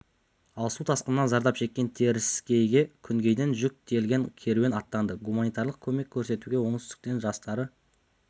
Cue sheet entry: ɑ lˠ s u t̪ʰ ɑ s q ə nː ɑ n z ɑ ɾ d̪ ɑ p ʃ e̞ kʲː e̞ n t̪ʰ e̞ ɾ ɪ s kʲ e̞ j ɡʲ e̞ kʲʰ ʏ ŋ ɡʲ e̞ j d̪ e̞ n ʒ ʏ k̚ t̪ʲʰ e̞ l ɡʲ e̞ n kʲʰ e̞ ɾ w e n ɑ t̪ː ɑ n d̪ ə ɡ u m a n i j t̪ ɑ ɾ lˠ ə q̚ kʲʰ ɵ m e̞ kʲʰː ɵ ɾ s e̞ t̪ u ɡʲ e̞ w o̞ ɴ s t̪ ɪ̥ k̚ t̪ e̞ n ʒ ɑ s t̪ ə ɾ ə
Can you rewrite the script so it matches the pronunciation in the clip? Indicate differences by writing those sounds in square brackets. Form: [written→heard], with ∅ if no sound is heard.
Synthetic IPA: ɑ lˠ s u t̪ʰ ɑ s q ə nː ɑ n z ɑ ɾ d̪ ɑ p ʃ e̞ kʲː e̞ n t̪ʰ e̞ ɾ ɪ s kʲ e̞ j ɡʲ e̞ kʲʰ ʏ ŋ ɡʲ e̞ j d̪ e̞ n ʒ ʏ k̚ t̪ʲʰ e̞ l ɡʲ e̞ n kʲʰ e̞ ɾ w e n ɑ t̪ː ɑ n d̪ ə ɡ u m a n i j t̪ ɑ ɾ lˠ ə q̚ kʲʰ ɵ m e̞ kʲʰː ɵ ɾ s e̞ t̪ u ɡʲ e̞ w o̞ ɴ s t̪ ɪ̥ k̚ t̪ e̞ n ʒ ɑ s t̪ [ə→ɑ] ɾ ə